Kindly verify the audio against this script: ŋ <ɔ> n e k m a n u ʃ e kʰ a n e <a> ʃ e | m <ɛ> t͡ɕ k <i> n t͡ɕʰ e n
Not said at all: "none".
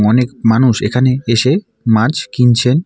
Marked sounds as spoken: ɔ, e, a, i

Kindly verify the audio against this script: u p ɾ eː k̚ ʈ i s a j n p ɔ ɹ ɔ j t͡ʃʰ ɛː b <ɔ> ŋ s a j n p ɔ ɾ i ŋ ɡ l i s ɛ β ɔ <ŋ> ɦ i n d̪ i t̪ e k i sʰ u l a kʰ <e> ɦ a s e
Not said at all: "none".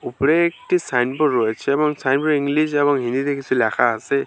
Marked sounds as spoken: ɔ, ŋ, a

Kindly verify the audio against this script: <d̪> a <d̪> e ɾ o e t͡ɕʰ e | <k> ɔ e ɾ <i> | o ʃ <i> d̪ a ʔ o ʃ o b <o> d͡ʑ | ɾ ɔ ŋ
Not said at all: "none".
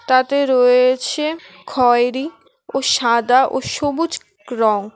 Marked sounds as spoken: t̪, t̪, kʰ, i, a, u

